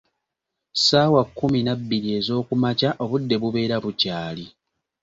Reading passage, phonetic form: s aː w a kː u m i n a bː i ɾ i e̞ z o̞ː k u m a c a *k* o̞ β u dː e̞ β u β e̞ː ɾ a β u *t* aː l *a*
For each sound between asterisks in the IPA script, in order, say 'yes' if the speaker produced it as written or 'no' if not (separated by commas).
no, no, no